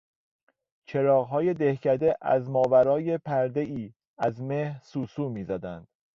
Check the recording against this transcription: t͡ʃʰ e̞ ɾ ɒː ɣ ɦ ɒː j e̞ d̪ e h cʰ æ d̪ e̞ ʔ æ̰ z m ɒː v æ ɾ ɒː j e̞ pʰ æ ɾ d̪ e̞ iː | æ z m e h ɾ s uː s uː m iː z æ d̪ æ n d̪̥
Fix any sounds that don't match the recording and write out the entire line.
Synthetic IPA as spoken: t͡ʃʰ e̞ ɾ ɒː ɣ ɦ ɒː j e̞ d̪ e h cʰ æ d̪ e̞ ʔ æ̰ z m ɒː v æ ɾ ɒː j e̞ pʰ æ ɾ d̪ e̞ iː | æ z m e h ɾ s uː s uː m iː z æ d̪ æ n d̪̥